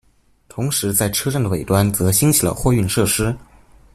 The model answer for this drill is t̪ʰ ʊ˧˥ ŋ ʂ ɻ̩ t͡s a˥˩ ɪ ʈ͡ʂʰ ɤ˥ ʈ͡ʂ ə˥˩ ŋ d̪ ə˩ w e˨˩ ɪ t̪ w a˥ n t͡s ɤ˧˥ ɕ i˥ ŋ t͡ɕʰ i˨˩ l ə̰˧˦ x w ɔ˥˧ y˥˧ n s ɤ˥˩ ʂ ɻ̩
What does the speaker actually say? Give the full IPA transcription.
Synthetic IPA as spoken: t̪ʰ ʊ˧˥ ŋ ʂ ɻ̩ t͡s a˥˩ ɪ ʈ͡ʂʰ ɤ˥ ʈ͡ʂ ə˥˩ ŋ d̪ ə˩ w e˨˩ ɪ t̪ w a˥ n t͡s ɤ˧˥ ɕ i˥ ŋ t͡ɕʰ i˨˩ l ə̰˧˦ x w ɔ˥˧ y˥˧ n ʂ ɤ˥˩ ʂ ɻ̩